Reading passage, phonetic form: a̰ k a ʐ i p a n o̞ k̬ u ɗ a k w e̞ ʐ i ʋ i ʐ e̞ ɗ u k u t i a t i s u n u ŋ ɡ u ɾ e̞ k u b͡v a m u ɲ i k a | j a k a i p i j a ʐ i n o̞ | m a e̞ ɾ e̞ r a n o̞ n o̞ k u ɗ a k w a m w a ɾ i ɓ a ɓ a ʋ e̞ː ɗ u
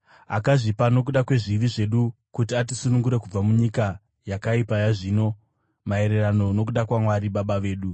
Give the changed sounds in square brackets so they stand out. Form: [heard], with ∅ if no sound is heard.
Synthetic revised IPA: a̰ k a ʐ i p a n o̞ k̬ u ɗ a k w e̞ ʐ i ʋ i ʐ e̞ ɗ u k u t i a t i s u n u ŋ ɡ u ɾ e̞ k u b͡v a m u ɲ i k a | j a k a i p [a] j a ʐ i n o̞ | m a e̞ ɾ e̞ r a n o̞ n o̞ k u ɗ a k w a m w a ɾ i ɓ a ɓ a ʋ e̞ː ɗ u